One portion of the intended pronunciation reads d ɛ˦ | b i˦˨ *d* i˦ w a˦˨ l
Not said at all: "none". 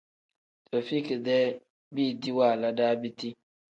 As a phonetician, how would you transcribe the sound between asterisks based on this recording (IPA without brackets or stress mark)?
d